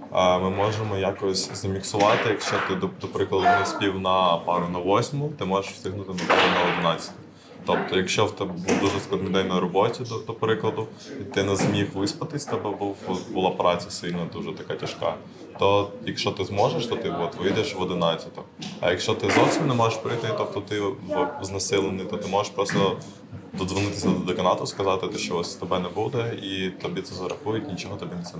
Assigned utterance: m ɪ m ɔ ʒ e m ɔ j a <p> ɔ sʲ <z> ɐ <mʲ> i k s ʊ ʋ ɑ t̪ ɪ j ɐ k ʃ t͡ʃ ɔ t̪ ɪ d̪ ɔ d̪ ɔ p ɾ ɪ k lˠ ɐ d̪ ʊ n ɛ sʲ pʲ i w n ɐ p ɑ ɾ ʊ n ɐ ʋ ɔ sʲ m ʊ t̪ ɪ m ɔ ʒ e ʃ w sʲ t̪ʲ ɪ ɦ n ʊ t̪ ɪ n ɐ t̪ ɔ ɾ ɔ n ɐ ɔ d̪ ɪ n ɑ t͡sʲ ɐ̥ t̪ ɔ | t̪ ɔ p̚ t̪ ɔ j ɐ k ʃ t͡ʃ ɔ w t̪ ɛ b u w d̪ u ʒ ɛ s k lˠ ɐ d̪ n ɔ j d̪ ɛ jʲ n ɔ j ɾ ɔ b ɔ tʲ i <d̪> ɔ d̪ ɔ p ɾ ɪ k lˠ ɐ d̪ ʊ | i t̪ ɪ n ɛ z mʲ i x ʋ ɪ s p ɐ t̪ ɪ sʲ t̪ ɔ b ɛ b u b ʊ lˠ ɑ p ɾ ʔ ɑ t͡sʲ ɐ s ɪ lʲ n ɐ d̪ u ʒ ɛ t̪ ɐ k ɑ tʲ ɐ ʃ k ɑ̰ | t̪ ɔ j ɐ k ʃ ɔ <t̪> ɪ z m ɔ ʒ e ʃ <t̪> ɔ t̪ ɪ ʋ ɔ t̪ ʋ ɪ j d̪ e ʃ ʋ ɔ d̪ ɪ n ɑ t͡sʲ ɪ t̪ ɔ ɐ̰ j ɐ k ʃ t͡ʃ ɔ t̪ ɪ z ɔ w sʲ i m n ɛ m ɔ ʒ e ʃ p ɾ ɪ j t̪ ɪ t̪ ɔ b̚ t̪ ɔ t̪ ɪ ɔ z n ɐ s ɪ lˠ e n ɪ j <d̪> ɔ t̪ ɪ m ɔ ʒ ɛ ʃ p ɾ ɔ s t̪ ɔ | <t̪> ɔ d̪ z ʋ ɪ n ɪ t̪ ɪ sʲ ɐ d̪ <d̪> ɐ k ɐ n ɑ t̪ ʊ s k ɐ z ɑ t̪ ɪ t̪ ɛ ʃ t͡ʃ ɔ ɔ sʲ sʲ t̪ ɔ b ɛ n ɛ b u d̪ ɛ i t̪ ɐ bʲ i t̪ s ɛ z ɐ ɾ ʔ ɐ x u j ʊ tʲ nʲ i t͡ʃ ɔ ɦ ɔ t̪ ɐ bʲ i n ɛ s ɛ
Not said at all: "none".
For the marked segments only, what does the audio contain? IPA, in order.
k, z, mʲ, d̪, t̪, t̪, t̪, d̪, d̪

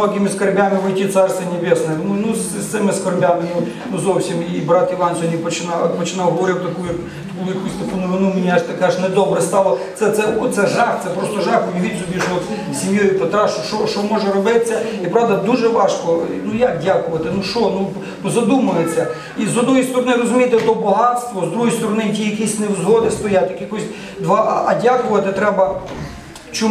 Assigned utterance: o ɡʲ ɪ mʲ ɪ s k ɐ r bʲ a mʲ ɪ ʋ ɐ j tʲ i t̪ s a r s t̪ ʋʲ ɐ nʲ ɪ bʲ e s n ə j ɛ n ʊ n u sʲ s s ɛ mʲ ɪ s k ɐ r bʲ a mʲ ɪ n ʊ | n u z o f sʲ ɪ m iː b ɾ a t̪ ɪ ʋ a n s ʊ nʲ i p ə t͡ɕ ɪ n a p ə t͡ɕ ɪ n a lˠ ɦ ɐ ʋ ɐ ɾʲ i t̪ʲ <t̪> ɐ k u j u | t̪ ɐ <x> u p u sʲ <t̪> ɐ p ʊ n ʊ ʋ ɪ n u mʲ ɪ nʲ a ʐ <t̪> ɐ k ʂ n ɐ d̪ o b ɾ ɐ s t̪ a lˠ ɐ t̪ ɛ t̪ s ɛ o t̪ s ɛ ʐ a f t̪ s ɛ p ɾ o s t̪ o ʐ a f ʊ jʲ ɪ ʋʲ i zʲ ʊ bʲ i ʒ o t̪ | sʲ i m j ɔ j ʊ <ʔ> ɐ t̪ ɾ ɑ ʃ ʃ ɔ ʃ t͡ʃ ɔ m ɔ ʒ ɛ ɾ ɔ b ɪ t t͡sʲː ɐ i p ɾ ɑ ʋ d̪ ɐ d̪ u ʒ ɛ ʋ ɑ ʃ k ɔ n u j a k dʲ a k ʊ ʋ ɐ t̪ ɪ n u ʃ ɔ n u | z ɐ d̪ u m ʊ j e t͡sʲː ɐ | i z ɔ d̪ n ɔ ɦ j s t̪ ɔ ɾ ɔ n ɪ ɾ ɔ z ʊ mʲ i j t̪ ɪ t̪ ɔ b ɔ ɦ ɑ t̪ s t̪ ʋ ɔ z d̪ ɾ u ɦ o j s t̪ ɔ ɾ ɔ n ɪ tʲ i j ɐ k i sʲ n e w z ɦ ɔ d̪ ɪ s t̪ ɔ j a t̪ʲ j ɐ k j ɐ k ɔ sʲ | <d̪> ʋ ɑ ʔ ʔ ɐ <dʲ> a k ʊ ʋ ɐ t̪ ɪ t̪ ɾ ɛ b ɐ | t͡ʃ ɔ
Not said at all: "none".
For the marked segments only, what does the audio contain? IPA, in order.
t̪, k, t̪, t̪, p, d̪, dʲ

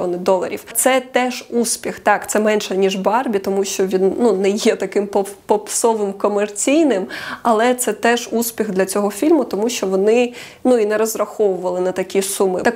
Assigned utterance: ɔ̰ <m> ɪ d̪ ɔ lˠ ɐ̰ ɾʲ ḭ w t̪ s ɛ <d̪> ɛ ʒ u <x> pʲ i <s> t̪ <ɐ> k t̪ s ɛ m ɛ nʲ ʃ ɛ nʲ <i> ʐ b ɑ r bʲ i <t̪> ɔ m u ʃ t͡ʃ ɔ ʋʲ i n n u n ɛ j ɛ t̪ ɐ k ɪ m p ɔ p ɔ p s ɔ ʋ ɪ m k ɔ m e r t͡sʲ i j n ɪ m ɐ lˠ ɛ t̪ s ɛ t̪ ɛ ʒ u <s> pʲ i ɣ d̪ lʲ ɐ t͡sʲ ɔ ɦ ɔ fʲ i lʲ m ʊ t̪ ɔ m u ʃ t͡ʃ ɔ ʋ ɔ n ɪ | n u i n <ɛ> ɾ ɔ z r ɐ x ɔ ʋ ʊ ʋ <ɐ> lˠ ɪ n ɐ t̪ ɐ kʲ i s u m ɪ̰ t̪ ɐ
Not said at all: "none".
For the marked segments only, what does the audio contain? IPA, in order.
n, t̪, s, x, ɑ, i, t̪, s, ɛ, ɐ

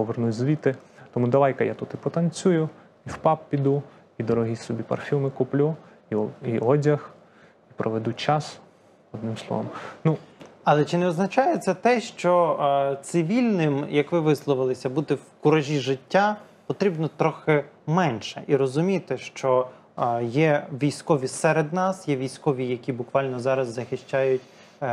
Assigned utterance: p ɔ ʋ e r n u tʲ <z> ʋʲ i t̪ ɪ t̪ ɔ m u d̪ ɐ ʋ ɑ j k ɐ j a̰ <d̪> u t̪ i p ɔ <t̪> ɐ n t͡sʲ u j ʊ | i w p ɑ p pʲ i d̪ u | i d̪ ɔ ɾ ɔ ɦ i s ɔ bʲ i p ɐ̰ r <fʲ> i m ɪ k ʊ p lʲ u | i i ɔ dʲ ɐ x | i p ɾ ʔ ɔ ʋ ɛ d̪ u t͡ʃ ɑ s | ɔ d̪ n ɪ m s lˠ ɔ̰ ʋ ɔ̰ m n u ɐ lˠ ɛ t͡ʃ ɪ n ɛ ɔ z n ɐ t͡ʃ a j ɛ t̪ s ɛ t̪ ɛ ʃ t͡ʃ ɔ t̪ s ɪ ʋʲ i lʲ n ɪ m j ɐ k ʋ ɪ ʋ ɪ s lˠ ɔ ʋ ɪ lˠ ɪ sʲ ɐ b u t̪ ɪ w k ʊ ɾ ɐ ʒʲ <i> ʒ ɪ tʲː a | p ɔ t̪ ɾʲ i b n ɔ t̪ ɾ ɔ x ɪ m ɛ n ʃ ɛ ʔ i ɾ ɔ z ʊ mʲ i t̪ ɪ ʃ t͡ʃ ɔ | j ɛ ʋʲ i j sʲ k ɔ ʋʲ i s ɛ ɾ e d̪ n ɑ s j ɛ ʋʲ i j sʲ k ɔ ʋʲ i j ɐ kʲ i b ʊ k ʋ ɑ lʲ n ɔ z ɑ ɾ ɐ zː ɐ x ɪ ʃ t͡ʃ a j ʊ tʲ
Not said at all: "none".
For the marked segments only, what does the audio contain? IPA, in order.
z, t̪, t̪, fʲ, i

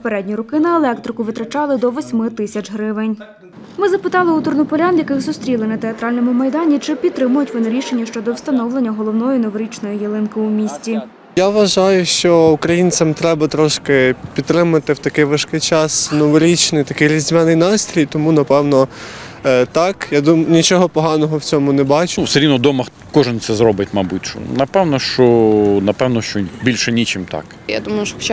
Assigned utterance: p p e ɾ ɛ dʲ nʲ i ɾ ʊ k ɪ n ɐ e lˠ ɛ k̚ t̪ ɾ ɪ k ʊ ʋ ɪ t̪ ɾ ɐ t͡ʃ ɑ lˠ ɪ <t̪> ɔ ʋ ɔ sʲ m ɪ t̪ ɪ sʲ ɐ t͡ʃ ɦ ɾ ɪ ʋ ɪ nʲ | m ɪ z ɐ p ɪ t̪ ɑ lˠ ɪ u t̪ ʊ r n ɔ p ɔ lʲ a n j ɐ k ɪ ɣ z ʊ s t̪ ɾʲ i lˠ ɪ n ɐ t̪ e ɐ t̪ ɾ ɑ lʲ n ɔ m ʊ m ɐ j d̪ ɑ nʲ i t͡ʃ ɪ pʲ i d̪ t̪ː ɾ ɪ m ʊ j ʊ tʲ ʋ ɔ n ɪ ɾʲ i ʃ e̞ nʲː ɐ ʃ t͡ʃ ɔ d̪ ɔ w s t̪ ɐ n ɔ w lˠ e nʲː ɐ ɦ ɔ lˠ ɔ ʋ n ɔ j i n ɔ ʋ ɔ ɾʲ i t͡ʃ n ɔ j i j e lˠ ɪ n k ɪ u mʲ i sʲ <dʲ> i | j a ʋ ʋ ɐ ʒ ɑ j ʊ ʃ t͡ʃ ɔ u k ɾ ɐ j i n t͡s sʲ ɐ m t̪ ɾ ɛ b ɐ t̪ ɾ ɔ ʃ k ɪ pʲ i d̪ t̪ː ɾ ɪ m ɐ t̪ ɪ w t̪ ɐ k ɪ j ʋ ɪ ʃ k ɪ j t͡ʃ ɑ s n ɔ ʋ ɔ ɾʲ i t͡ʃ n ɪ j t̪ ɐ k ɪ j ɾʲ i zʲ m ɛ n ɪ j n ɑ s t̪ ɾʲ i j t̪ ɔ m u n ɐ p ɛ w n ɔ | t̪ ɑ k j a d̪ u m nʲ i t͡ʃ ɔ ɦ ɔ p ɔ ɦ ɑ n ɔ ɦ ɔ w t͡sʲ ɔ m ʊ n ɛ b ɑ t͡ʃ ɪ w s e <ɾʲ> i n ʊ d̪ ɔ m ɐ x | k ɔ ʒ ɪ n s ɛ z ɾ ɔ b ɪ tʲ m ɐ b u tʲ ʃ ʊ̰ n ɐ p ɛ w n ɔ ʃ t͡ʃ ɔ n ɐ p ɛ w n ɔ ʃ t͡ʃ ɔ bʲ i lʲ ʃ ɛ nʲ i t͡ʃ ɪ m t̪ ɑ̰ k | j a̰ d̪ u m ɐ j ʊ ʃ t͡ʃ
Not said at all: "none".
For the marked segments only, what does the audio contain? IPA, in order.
d̪, tʲ, ɾʲ

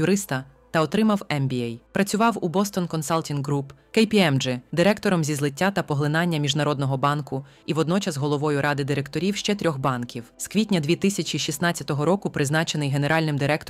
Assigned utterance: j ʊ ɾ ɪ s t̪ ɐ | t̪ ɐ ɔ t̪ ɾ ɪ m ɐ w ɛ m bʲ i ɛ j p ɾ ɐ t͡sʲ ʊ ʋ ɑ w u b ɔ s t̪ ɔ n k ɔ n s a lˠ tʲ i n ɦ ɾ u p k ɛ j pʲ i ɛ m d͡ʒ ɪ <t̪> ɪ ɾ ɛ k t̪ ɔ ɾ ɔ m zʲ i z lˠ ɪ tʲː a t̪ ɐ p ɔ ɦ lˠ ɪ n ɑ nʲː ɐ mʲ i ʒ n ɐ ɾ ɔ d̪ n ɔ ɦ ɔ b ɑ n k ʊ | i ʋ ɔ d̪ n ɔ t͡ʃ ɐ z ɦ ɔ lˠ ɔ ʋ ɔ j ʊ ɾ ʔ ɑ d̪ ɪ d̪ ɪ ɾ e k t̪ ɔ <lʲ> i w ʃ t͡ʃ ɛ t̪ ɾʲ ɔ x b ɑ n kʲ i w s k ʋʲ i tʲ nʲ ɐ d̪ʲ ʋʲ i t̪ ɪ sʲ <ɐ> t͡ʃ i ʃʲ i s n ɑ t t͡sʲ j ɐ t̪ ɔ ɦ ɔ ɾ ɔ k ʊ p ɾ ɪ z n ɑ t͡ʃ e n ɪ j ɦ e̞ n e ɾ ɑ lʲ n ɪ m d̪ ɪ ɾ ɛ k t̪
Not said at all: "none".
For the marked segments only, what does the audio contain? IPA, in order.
d̪, ɾʲ, ɐ

